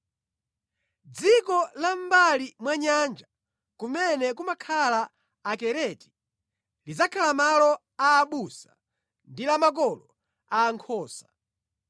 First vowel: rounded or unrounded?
unrounded